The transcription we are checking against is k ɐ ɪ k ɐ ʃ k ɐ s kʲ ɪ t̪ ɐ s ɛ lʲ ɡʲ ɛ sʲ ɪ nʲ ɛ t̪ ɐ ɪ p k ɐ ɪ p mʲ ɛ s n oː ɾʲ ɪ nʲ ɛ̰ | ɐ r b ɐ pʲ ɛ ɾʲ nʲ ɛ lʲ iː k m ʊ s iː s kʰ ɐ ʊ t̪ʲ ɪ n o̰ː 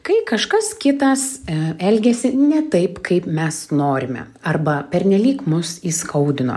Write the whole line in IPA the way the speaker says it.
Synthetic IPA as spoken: k ɐ ɪ k ɐ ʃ k ɐ s kʲ ɪ t̪ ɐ s ɛ lʲ ɡʲ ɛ sʲ ɪ nʲ ɛ t̪ ɐ ɪ p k ɐ ɪ p mʲ ɛ s n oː ɾʲ ɪ mʲ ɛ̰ | ɐ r b ɐ pʲ ɛ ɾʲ nʲ ɛ lʲ iː k m ʊ s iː s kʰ ɐ ʊ d̪ʲ ɪ n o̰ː